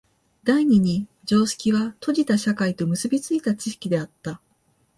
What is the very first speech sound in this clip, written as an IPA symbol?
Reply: d̪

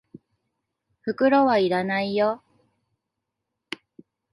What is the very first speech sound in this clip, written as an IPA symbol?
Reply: ɸ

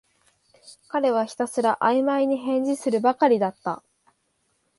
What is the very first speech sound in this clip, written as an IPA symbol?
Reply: k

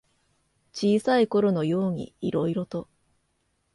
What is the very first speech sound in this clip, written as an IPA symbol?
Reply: t͡ɕ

